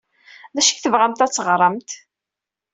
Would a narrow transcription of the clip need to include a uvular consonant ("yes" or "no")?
yes